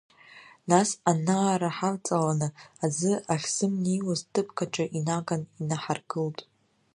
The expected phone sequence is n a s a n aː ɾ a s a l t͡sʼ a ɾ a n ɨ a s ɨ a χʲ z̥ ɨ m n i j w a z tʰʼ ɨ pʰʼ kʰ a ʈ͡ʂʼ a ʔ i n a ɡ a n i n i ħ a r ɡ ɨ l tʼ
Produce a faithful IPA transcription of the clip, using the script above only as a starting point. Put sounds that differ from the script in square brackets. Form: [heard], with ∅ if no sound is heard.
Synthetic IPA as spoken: n a s a n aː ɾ a [ħ] a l t͡sʼ a [l] a n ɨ a [z] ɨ a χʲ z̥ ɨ m n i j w a z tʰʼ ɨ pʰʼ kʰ a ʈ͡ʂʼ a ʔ i n a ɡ a n i n [a] ħ a r ɡ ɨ l tʼ